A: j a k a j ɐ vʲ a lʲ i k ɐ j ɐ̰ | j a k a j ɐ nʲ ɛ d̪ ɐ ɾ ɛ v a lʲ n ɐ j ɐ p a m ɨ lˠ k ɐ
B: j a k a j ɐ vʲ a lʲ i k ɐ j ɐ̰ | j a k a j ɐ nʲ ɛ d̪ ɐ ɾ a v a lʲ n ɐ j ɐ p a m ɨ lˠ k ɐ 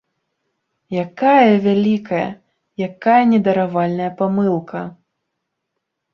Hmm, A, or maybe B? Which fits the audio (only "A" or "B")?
B